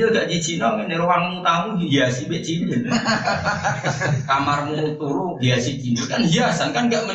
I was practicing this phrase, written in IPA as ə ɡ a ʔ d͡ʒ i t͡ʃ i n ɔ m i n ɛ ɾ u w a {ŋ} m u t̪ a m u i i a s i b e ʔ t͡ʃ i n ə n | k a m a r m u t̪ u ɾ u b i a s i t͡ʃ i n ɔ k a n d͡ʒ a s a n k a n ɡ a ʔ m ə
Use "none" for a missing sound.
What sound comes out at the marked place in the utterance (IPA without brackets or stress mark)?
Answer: ŋ